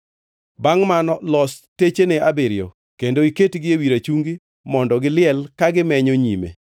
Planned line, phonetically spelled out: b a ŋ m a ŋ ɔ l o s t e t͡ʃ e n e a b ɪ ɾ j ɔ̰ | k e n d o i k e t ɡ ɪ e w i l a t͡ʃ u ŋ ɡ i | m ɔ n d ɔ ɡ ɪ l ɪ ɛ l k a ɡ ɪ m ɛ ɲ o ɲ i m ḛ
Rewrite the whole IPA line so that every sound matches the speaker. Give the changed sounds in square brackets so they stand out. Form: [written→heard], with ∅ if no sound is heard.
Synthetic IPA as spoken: b a ŋ m a [ŋ→n] ɔ l [o→ɔ] s t e t͡ʃ e n e a b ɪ ɾ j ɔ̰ | k e n d o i k e t ɡ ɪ e w i [l→ɾ] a t͡ʃ u ŋ ɡ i | m ɔ n d ɔ ɡ ɪ l ɪ ɛ l k a ɡ ɪ m ɛ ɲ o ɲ i m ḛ